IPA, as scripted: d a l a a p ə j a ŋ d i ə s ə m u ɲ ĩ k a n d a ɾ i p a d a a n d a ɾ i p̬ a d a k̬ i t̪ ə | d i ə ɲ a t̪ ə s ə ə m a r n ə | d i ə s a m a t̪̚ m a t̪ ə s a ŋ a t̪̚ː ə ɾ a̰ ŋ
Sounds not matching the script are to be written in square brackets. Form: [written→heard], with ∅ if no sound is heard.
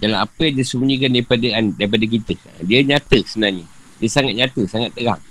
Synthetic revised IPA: d a l a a p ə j a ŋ d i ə s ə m u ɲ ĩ k a n d a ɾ i p a d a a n d a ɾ i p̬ a d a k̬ i t̪ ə | d i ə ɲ a t̪ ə s ə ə [m→n] a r [n→ɲ] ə | d i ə s a [m→ŋ] a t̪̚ [m→ɲ] a t̪ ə s a ŋ a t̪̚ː ə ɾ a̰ ŋ